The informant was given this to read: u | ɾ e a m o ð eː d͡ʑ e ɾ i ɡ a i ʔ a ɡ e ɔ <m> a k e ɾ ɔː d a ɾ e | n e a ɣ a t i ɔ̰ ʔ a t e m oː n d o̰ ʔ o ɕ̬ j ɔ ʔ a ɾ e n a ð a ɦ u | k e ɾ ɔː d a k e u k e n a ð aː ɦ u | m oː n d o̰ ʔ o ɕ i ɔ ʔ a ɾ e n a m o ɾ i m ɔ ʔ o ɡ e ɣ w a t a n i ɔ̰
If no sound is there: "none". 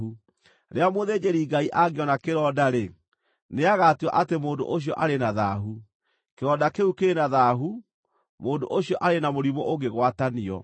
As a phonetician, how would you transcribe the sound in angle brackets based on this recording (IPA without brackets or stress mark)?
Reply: n